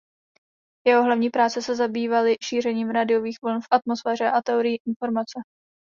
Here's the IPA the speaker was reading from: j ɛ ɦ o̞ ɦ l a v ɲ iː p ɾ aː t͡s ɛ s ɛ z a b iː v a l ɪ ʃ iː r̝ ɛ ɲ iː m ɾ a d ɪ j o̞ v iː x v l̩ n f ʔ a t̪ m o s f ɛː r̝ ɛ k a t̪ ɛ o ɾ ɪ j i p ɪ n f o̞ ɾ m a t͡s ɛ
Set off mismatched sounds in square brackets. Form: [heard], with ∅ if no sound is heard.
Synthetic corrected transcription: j ɛ ɦ o̞ ɦ l a v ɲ iː p ɾ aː t͡s ɛ s ɛ z a b iː v a l ɪ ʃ iː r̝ ɛ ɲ iː m ɾ a d ɪ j o̞ v iː x v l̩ n f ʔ a t̪ m o s f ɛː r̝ ɛ [ʔ] a t̪ ɛ o ɾ ɪ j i [ʔ] ɪ n f o̞ ɾ m a t͡s ɛ